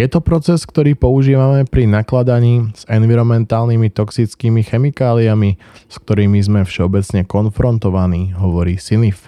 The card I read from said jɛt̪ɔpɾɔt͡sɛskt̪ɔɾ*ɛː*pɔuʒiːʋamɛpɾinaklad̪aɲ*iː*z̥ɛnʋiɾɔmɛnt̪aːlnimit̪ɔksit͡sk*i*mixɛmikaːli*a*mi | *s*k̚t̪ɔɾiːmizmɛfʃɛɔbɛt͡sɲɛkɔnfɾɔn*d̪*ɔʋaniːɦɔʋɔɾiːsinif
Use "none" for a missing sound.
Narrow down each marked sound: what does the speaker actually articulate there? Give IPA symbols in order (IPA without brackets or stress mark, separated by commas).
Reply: iː, iː, iː, a, s, t̪